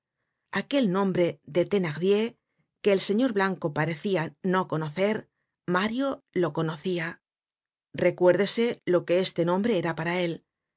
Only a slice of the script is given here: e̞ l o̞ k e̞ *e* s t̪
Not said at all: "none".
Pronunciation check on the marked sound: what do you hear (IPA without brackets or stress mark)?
e